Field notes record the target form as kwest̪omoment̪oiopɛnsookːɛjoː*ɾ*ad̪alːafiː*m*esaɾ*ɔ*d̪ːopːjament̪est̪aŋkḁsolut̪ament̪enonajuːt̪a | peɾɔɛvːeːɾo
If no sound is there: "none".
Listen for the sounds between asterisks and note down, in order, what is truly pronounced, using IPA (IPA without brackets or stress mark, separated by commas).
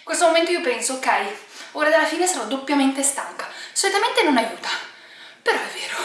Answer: ɾ, n, ɔ